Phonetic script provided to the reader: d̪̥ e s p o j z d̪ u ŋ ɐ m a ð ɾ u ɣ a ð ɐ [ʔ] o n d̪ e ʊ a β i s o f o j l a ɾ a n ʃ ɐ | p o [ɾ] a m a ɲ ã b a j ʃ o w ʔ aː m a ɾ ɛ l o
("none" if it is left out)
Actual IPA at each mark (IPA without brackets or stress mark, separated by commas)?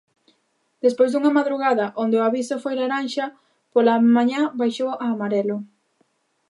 ʔ, l